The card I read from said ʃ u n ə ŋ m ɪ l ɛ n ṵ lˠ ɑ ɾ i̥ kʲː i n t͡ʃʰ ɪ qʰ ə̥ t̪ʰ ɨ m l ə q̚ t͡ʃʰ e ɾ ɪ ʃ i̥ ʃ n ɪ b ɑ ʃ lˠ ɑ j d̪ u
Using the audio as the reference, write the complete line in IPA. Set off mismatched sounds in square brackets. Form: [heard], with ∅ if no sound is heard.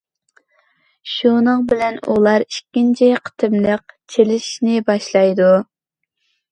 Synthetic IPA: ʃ u n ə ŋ [b] ɪ l ɛ n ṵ lˠ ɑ ɾ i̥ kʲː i n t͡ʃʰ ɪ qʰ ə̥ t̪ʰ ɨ m l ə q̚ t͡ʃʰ e [l] ɪ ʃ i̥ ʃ n ɪ b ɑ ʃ lˠ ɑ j d̪ u